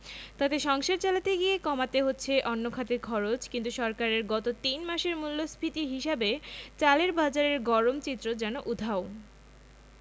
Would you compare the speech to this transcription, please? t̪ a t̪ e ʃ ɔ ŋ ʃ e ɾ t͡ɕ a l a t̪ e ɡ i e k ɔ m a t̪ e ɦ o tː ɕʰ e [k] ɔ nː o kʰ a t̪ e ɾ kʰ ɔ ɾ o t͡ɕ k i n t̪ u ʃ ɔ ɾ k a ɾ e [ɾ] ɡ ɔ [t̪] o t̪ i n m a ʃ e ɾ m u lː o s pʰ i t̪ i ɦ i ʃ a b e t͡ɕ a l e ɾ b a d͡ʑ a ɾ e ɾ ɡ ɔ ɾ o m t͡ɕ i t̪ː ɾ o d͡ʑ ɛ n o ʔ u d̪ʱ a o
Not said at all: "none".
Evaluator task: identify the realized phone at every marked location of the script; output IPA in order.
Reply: ʔ, ɾ, t̪

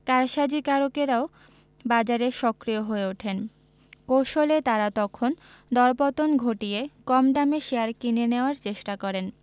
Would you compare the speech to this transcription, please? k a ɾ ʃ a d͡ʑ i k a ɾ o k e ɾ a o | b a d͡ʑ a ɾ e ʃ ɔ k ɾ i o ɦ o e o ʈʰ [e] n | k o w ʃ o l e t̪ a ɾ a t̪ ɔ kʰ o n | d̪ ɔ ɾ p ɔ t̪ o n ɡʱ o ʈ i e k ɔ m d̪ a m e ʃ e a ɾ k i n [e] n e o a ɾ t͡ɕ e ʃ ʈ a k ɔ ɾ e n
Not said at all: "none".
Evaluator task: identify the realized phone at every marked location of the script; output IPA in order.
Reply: e, e

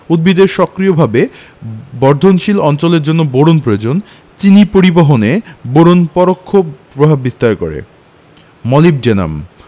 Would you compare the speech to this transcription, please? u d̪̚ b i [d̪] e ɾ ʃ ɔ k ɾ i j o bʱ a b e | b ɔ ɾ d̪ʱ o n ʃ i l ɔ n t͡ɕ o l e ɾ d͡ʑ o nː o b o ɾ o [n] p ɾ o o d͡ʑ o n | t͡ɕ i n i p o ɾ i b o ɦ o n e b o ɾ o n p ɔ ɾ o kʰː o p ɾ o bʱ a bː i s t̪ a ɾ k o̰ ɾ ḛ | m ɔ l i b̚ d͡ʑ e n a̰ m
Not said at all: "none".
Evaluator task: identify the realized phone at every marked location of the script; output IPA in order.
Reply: d̪, n

